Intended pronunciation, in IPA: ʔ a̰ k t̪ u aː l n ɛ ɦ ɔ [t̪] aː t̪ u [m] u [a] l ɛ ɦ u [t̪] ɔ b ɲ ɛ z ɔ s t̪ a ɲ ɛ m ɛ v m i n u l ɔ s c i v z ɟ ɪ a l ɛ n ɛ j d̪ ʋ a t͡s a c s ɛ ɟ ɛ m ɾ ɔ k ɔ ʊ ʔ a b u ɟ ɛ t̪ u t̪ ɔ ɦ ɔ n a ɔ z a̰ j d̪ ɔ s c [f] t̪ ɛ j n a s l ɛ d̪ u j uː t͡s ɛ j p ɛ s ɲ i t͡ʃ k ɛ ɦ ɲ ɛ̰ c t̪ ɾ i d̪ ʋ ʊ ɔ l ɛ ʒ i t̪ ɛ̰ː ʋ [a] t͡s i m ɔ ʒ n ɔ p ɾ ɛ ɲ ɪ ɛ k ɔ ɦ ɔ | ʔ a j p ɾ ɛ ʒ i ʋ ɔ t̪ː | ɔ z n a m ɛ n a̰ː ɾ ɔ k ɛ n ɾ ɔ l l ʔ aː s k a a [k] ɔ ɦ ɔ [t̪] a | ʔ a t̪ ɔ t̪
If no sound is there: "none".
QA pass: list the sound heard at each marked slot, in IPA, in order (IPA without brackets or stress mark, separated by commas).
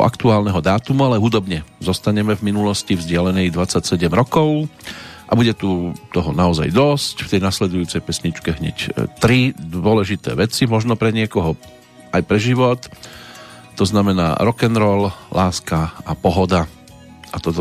d̪, m, a, d̪, f, ɛ, p, d̪